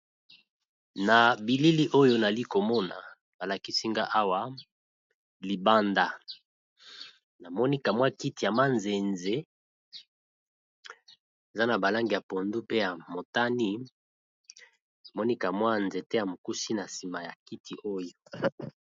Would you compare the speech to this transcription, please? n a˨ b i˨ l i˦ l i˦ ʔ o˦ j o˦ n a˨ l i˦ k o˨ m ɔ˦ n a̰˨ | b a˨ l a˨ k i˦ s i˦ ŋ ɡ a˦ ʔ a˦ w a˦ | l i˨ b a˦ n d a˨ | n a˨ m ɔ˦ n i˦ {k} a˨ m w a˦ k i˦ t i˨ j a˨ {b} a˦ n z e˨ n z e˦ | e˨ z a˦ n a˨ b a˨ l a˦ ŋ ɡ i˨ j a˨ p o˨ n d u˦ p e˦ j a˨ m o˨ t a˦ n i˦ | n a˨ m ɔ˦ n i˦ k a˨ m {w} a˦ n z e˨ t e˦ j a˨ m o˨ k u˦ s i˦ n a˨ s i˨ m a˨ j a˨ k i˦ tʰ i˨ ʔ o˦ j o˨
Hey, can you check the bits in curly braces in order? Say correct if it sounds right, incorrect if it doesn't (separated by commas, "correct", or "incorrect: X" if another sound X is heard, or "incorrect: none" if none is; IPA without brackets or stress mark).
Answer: correct, incorrect: m, correct